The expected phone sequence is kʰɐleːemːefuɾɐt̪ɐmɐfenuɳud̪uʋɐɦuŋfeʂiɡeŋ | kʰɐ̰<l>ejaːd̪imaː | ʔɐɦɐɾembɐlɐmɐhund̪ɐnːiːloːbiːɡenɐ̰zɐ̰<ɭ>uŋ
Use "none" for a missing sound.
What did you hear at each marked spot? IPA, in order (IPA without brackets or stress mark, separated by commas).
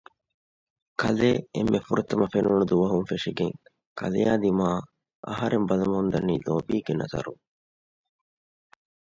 l, ɾ